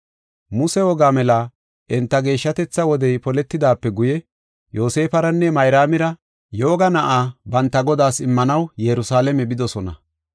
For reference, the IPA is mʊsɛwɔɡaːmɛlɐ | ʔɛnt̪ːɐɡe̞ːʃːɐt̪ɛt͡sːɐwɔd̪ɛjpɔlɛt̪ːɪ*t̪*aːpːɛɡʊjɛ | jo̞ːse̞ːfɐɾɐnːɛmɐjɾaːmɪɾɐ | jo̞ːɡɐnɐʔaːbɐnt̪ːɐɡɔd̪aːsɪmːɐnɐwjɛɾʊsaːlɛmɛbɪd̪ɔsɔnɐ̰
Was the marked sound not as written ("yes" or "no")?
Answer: yes